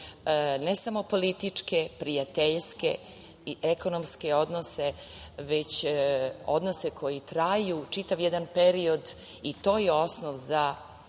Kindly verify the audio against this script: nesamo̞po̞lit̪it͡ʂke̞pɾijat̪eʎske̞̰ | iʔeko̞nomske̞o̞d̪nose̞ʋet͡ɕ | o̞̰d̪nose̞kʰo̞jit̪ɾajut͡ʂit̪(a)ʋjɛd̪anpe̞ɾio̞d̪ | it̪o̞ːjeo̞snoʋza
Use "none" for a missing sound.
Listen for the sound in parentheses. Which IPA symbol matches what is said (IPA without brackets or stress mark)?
a